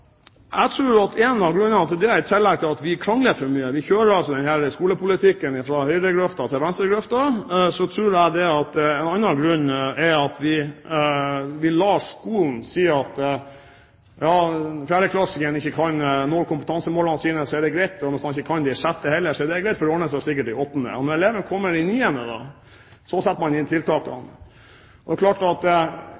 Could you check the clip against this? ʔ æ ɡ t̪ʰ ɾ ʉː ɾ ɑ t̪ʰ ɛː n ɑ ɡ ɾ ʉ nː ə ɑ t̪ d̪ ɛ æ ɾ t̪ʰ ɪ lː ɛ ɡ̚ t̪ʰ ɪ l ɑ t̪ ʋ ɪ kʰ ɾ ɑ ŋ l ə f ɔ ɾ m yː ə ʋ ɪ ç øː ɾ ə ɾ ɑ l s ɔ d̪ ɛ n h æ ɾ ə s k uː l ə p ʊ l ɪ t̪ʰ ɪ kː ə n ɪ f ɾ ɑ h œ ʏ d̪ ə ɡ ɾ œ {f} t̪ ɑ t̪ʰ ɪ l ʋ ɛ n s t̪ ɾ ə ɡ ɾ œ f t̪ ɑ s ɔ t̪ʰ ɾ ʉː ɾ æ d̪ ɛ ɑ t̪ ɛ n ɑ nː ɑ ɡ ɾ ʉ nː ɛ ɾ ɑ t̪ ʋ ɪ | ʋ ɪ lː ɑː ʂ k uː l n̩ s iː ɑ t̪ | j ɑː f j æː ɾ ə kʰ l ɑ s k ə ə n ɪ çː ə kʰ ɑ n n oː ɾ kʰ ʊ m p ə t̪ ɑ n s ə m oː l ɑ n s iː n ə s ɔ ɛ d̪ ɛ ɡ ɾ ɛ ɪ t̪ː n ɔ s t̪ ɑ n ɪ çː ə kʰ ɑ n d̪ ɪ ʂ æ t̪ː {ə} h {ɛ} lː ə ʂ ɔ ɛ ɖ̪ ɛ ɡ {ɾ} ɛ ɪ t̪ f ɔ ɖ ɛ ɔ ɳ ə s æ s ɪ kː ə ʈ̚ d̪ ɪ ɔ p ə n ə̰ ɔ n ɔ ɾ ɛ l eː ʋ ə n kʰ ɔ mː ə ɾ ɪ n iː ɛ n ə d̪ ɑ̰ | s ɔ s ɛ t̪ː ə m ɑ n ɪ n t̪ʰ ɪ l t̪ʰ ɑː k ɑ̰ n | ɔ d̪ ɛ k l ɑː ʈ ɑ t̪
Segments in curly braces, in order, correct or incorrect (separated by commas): correct, correct, correct, correct